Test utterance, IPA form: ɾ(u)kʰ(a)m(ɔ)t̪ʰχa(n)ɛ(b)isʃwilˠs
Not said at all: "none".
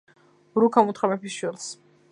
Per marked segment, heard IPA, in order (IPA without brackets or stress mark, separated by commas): u, a, u, m, p